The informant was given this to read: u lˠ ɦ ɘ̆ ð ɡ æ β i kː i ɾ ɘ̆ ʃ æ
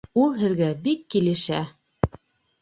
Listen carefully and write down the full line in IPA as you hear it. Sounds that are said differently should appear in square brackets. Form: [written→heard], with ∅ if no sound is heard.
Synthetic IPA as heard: u lˠ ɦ ɘ̆ ð ɡ æ [β→b] i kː i [ɾ→l] ɘ̆ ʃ æ